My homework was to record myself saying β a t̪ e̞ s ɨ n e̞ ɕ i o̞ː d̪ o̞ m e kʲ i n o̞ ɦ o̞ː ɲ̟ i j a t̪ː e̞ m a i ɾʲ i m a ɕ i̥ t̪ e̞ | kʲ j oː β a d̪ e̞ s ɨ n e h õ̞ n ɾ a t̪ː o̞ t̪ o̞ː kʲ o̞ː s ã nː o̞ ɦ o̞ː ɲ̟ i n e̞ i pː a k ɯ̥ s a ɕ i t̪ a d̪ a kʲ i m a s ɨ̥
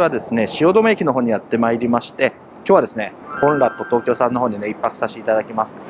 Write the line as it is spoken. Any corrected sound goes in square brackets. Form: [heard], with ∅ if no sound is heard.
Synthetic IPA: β a [d̪] e̞ s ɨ n e̞ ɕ i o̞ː d̪ o̞ m e kʲ i n o̞ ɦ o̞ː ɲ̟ i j a t̪ː e̞ m a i ɾʲ i m a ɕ i̥ t̪ e̞ | kʲ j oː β a d̪ e̞ s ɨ n e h õ̞ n ɾ a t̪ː o̞ t̪ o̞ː kʲ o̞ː s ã nː o̞ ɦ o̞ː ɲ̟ i n e̞ i pː a k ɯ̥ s a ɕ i t̪ a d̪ a kʲ i m a s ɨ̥